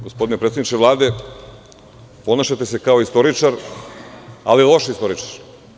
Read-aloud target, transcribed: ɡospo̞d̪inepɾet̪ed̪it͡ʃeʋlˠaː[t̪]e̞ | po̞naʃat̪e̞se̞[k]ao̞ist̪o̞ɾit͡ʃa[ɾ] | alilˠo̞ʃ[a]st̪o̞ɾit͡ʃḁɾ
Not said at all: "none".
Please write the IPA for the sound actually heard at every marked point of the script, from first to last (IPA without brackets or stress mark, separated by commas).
d̪, k, ɾ, i